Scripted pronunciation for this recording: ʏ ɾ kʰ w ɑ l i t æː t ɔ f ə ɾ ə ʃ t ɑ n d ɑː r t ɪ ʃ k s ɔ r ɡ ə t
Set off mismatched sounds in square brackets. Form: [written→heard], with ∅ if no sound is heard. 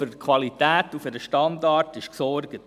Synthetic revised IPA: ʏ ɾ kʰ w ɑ l i t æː t [ɔ→u] f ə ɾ ə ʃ t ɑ n d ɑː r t ɪ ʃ k s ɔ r ɡ ə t